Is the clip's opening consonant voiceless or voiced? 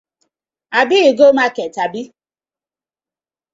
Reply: voiced